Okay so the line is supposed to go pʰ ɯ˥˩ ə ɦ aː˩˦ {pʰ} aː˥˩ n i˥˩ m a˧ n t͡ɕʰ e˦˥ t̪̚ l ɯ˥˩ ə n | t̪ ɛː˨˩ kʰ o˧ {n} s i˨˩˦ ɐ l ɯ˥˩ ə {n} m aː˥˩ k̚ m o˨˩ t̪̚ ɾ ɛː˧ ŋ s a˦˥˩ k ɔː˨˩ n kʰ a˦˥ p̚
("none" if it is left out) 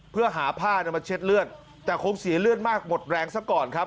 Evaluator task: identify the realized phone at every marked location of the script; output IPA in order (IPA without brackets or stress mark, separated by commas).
pʰ, ŋ, n